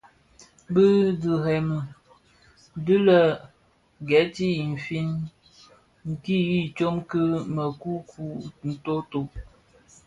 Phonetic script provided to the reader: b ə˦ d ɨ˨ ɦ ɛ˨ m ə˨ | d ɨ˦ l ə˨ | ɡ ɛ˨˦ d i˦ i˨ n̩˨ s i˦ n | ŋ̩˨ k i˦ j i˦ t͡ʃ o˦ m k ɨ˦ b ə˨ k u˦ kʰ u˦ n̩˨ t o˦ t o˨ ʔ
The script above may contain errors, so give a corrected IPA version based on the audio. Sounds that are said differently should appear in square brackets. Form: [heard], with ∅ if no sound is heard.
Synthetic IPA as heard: b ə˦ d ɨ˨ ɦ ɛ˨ m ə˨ | d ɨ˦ l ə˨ | ɡ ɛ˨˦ [t] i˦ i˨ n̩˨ [f] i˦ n | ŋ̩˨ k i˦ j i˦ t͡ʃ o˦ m k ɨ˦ [m] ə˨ k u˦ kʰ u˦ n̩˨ t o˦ t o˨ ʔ